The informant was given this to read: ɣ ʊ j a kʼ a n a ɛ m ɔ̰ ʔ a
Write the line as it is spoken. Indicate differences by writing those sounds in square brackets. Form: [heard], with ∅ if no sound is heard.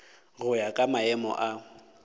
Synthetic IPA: ɣ ʊ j a kʼ a [m] a ɛ m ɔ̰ ʔ a